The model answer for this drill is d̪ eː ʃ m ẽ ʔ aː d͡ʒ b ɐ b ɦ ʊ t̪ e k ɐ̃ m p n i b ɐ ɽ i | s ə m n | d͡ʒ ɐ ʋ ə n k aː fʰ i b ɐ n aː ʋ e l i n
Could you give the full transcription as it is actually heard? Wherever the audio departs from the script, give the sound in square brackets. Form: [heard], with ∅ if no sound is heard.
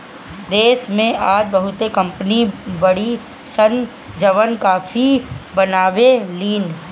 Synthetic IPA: d̪ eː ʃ m ẽ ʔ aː d͡ʒ b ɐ [∅] ɦ ʊ t̪ e k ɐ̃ m p n i b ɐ ɽ i | s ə [∅] n | d͡ʒ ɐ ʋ ə n k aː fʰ i b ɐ n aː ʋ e l [iː] n